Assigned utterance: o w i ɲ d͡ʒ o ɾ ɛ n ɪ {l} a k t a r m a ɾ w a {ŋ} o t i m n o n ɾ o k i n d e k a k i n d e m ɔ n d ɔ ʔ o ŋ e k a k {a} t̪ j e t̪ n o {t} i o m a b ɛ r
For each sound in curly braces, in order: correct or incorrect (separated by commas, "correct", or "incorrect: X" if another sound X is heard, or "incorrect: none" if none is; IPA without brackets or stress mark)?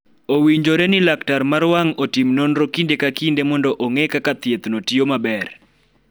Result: correct, correct, correct, correct